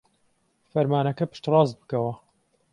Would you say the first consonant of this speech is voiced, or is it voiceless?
voiceless